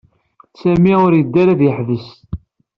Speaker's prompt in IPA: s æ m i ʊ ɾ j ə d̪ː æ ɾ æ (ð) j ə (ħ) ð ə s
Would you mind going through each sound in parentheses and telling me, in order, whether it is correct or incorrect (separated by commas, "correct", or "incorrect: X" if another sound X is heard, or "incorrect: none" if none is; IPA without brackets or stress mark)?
correct, correct